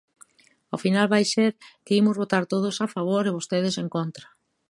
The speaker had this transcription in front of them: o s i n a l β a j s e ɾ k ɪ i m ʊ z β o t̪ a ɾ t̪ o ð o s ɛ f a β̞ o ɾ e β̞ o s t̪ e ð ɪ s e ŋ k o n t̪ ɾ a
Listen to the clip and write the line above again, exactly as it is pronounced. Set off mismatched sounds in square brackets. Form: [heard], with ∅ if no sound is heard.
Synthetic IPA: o [f] i n a l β a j s e ɾ k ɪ i m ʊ z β o t̪ a ɾ t̪ o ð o s [a] f a β̞ o ɾ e β̞ o s t̪ e ð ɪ s e ŋ k o n t̪ ɾ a